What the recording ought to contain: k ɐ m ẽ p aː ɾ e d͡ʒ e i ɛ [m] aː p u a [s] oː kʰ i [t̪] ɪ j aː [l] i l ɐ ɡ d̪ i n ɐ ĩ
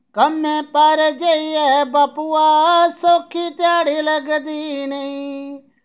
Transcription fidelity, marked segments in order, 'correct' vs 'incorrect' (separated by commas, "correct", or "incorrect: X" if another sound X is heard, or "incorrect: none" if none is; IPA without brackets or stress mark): incorrect: b, correct, correct, incorrect: ɽ